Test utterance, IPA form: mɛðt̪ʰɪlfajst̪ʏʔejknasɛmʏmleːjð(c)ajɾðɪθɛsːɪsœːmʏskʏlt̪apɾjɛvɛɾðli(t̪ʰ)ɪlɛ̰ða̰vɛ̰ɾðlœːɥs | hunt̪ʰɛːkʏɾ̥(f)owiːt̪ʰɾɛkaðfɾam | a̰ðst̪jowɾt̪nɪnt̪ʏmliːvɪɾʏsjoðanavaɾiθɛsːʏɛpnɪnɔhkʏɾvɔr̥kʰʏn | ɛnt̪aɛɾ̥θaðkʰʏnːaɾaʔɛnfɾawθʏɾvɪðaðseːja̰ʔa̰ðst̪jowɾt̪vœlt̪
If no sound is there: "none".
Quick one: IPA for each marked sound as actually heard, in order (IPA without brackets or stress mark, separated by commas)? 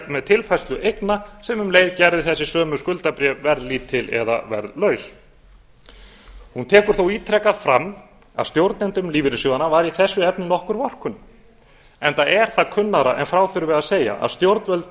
c, t̪ʰ, θ